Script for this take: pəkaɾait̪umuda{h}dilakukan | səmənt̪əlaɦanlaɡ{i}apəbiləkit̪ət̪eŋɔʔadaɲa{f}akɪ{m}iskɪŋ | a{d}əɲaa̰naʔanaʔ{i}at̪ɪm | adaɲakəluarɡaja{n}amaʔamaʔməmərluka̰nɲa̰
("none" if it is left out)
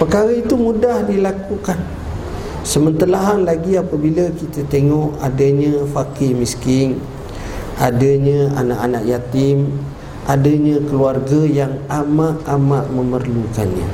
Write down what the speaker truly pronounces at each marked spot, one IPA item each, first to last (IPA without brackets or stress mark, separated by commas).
h, i, f, m, d, j, ŋ